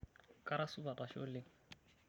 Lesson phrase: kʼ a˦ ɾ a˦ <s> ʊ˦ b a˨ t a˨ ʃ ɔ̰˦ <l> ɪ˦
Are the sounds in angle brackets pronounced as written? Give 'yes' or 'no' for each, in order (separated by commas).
yes, yes